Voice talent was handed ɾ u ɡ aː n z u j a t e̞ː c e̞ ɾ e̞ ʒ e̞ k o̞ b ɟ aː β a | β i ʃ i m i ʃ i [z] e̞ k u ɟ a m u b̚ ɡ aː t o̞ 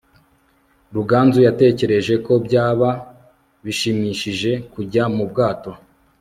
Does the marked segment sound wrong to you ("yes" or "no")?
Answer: yes